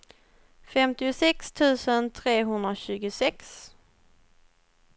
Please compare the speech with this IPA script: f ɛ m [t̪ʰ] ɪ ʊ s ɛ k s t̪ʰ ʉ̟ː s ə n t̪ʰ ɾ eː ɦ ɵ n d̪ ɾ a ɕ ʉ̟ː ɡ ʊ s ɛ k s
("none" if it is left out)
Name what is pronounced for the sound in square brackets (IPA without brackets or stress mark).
t̪